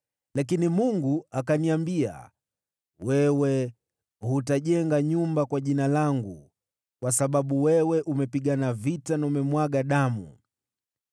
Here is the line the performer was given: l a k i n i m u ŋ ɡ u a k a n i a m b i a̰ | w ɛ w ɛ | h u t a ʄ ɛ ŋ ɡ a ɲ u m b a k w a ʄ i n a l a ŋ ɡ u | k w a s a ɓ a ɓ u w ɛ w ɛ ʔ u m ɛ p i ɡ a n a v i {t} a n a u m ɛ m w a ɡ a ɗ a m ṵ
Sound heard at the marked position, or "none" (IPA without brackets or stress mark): t